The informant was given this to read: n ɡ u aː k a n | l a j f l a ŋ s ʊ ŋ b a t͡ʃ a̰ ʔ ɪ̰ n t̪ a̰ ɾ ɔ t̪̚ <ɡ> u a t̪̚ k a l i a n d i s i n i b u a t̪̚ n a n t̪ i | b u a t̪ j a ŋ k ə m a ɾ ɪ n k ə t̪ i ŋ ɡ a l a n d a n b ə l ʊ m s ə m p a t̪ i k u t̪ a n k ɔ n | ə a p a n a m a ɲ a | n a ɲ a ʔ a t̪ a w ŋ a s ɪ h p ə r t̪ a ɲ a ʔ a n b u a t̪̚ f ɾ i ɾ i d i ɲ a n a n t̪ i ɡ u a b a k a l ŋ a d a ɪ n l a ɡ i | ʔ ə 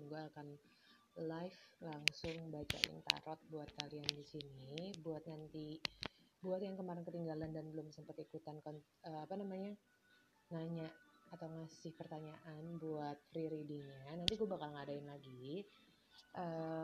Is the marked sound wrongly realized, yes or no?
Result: yes